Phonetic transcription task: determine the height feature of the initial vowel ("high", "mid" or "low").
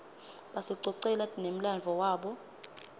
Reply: low